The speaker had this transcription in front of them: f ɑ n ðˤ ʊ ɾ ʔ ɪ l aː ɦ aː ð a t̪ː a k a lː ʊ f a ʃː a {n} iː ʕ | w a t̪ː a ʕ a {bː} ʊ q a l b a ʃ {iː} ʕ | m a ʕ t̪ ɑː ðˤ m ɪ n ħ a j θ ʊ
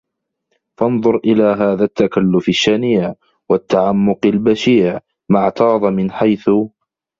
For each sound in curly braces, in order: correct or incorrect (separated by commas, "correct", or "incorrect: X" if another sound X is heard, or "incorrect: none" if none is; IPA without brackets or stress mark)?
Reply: correct, incorrect: mː, correct